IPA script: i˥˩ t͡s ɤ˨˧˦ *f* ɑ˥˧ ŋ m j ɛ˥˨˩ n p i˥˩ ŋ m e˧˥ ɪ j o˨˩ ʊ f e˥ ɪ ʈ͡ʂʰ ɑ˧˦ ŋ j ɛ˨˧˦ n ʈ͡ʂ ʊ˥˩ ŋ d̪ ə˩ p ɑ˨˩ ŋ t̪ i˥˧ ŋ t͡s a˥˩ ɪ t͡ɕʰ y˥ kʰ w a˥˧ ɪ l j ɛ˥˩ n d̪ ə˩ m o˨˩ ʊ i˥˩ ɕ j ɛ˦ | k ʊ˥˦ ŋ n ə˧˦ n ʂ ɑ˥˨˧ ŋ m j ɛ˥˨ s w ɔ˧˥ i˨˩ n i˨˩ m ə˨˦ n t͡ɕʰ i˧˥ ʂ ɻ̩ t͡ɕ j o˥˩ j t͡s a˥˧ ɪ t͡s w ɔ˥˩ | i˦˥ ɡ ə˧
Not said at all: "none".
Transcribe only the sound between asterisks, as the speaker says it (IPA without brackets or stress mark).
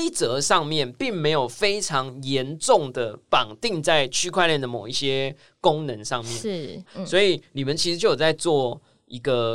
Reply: ʂ